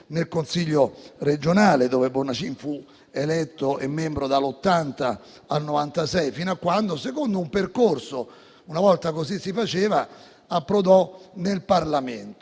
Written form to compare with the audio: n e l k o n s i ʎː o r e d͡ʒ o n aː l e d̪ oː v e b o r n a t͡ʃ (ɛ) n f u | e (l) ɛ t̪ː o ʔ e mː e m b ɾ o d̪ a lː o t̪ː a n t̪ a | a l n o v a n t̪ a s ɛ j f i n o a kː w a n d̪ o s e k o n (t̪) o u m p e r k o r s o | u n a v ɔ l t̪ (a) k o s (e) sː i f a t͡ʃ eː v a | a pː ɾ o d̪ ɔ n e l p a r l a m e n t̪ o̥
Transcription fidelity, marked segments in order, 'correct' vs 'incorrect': incorrect: i, correct, incorrect: d̪, correct, incorrect: i

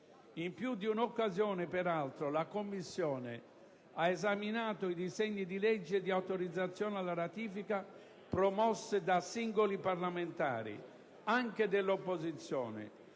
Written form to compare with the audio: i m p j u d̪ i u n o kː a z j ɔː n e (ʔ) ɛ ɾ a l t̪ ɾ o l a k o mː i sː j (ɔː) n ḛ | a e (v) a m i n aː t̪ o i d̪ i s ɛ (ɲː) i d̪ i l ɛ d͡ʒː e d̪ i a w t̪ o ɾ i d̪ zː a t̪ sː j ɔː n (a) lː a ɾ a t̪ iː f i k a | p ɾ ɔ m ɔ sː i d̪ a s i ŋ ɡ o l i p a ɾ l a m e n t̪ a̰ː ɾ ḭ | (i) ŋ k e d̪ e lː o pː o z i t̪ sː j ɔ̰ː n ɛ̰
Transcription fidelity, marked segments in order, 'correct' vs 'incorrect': incorrect: p, correct, incorrect: z, correct, correct, incorrect: a

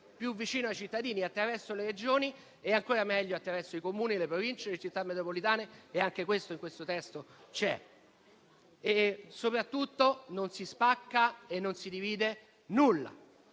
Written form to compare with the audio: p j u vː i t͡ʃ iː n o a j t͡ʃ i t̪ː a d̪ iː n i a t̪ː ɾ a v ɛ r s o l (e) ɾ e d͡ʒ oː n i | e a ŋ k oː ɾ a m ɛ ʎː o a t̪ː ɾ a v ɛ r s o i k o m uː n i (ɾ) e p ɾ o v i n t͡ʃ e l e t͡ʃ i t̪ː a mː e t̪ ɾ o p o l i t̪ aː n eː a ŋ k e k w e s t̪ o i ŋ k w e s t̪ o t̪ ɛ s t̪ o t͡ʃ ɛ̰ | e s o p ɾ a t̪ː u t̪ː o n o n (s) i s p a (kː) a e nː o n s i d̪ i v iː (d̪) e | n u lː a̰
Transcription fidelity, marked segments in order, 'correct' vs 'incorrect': correct, incorrect: l, correct, correct, correct

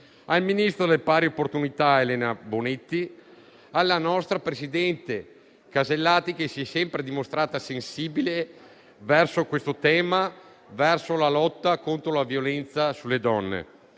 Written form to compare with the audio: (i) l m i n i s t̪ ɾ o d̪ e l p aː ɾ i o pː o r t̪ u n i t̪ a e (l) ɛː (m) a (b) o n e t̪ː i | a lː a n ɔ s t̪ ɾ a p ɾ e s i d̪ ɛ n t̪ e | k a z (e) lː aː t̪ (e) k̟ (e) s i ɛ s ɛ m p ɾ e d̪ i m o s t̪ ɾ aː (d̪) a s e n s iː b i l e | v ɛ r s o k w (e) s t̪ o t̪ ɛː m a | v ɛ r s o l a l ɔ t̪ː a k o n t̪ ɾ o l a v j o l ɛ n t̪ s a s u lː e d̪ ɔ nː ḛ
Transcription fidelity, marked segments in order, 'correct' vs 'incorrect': incorrect: a, correct, incorrect: n, correct, correct, incorrect: i, correct, incorrect: t̪, correct

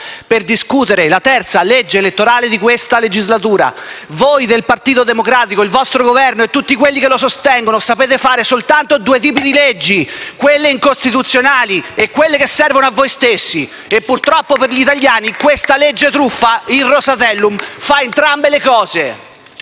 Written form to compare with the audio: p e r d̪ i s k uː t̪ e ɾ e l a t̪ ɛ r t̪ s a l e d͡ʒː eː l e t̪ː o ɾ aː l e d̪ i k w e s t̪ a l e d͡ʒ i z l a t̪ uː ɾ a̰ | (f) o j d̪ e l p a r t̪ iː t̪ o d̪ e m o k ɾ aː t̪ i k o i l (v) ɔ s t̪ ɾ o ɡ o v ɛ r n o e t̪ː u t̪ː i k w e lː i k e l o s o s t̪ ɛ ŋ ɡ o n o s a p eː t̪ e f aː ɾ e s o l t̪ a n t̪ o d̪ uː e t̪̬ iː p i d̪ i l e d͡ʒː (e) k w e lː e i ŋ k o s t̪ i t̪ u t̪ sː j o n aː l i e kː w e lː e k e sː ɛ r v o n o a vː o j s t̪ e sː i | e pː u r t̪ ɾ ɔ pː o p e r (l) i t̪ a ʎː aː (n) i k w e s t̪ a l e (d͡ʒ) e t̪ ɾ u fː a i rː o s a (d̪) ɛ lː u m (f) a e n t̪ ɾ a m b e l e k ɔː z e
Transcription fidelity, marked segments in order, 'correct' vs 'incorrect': incorrect: v, correct, incorrect: i, incorrect: ʎ, correct, incorrect: d͡ʒː, incorrect: t̪, correct

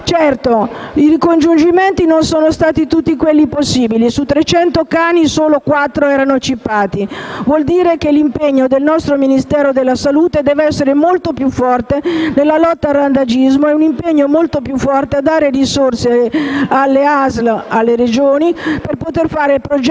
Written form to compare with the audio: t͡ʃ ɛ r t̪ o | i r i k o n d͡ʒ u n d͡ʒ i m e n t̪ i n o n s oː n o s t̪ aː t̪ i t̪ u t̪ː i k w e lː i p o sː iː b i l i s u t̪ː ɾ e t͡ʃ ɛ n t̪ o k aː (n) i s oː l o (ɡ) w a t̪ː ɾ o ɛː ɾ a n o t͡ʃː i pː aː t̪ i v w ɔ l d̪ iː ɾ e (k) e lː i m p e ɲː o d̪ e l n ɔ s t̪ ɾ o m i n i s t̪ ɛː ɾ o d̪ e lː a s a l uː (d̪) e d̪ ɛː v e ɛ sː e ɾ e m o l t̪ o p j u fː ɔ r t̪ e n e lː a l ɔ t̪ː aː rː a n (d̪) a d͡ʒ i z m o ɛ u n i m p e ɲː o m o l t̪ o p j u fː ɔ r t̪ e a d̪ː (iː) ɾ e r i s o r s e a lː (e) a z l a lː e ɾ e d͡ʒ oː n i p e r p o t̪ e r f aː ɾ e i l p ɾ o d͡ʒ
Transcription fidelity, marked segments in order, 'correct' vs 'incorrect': correct, incorrect: k, correct, incorrect: t̪, correct, incorrect: aː, correct

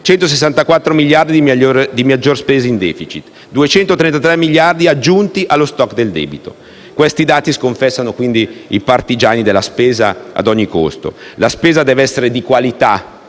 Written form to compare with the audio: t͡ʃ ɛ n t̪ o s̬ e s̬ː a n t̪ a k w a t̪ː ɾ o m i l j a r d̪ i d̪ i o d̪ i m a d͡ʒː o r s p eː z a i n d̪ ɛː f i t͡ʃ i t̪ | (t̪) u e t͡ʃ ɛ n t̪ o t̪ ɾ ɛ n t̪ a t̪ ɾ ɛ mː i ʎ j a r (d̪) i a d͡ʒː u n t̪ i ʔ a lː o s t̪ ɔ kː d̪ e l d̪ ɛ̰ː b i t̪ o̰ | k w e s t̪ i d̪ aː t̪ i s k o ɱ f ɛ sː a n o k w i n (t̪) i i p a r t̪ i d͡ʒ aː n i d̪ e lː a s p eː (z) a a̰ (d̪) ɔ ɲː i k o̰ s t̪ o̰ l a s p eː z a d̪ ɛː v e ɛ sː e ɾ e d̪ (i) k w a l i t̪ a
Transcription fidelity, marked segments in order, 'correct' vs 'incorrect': incorrect: d̪, correct, incorrect: d̪, correct, correct, correct

